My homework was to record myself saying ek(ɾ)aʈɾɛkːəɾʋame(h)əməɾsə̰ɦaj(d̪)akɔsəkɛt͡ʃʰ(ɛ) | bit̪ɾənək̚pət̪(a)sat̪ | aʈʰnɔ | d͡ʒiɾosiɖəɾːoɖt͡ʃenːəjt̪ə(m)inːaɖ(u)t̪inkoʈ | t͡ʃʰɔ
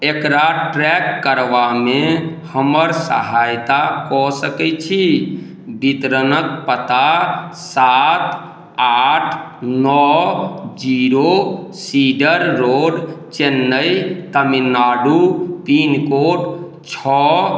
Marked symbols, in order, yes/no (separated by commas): yes, yes, no, no, yes, yes, yes